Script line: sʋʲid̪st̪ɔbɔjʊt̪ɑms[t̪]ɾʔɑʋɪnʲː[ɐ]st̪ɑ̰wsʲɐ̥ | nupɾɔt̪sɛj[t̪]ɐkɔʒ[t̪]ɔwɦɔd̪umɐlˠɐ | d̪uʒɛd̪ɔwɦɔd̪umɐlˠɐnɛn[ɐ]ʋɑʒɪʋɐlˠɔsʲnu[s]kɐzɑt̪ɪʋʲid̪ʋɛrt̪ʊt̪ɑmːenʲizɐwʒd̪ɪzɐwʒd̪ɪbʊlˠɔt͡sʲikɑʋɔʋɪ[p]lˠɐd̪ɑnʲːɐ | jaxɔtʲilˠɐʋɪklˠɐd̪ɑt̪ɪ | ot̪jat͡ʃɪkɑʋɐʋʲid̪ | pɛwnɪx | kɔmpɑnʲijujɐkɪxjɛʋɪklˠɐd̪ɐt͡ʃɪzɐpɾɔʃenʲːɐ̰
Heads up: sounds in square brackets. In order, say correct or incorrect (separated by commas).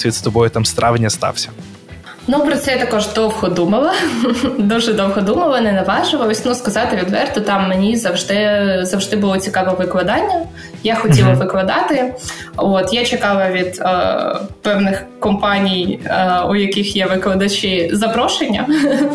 correct, correct, correct, incorrect, correct, correct, incorrect